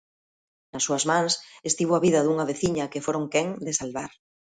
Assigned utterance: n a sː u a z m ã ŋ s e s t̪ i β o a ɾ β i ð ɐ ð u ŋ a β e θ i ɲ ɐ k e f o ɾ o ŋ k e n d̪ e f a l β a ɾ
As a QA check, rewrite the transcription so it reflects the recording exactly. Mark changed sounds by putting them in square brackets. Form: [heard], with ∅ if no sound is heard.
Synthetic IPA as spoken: n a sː u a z m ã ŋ s e s t̪ i β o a [∅] β i ð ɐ ð u ŋ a β e θ i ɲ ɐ k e f o ɾ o ŋ k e [ŋ] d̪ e [s] a l β a ɾ